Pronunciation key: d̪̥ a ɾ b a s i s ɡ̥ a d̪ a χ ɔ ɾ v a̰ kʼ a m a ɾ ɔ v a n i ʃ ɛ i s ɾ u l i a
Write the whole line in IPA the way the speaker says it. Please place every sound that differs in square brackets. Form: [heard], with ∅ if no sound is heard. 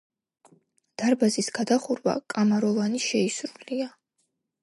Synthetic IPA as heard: d̪̥ a ɾ b a [z] i s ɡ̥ a d̪ a χ [u] ɾ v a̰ kʼ a m a ɾ ɔ v a n i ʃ ɛ i s ɾ u l i a